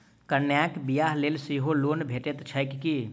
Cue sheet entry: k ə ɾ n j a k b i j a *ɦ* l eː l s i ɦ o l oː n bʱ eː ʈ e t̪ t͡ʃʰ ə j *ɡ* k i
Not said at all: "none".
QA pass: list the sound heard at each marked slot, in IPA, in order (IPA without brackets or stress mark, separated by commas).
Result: ɦ, k